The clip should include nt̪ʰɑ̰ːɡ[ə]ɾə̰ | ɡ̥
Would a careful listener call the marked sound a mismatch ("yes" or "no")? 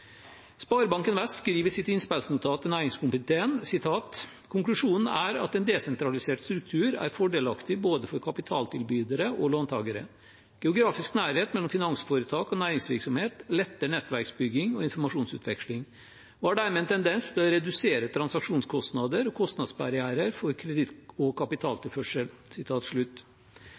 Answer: no